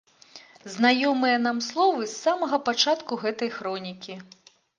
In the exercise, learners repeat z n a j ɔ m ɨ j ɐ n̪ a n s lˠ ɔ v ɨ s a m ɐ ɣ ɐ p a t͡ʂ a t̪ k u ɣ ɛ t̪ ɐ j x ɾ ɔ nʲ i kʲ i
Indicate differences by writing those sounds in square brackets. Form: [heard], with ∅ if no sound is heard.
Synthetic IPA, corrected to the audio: z n a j ɔ m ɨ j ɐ n̪ a [m] s lˠ ɔ v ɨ [sː] a m ɐ ɣ ɐ p a t͡ʂ a t̪ k u ɣ ɛ t̪ ɐ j x ɾ ɔ nʲ i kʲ i